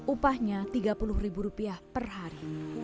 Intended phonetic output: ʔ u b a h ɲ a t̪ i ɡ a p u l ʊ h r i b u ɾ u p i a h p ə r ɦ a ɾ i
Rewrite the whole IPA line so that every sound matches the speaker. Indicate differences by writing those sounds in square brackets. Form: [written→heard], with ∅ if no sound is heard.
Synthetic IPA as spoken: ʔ u [b→p] a h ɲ a t̪ i ɡ a p u l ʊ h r i b u ɾ u p i a h p ə r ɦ a ɾ i